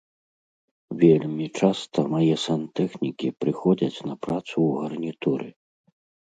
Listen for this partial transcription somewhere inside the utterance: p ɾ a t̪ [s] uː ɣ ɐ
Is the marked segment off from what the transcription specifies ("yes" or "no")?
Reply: no